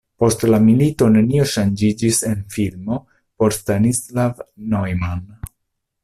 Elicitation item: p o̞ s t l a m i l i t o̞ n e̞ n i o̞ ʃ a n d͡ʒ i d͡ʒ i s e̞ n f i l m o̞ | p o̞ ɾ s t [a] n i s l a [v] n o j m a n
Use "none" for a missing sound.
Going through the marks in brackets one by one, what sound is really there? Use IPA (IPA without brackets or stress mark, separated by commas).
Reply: a, v